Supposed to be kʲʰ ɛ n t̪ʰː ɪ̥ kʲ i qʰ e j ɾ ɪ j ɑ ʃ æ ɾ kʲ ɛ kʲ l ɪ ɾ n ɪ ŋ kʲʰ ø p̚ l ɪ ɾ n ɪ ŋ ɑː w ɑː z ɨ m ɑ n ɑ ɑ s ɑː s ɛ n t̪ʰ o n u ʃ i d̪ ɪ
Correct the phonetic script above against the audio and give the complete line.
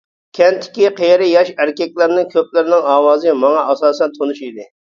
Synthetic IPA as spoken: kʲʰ ɛ n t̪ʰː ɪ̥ kʲ i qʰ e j ɾ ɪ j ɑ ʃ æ ɾ kʲ ɛ kʲ l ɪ ɾ n ɪ ŋ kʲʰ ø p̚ l ɪ ɾ n ɪ ŋ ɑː w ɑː z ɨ m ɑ ŋ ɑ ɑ s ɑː s ɛ n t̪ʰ o n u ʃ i d̪ ɪ